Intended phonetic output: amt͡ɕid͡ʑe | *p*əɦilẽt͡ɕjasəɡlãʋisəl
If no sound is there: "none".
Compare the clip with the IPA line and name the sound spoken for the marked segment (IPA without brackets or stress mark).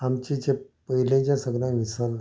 p